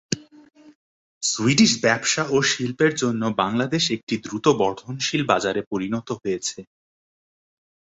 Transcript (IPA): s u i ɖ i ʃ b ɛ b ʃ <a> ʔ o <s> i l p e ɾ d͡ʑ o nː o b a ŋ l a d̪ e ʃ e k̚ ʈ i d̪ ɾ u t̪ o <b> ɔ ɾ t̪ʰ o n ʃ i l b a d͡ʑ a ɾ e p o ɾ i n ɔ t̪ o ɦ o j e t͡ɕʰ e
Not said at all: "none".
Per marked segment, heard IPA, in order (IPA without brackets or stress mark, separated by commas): a, ʃ, b